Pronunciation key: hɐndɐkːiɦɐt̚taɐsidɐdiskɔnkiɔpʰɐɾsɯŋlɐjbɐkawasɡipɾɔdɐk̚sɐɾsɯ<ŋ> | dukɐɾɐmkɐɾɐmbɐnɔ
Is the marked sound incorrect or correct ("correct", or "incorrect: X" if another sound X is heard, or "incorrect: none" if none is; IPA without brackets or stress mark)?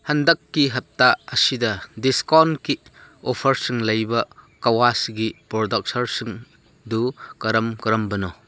correct